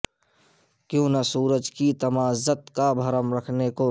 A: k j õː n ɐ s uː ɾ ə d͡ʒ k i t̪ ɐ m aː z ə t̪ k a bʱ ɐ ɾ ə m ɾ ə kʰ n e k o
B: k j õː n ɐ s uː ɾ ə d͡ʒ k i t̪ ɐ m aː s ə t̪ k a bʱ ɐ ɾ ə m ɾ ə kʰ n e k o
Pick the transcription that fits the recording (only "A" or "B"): A